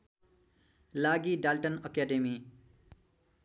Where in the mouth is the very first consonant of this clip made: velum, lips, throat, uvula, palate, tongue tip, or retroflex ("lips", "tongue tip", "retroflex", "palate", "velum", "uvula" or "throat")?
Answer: tongue tip